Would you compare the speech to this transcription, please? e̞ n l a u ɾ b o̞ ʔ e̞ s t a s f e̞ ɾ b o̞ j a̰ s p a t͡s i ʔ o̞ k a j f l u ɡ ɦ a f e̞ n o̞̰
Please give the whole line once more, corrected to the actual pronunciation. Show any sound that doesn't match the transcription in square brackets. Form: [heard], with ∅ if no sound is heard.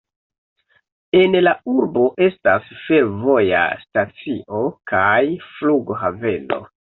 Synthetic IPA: e̞ n l a u ɾ b o̞ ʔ e̞ s t a s f e̞ ɾ [v] o̞ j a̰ s [t] a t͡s i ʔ o̞ k a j f l u ɡ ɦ a [v] e̞ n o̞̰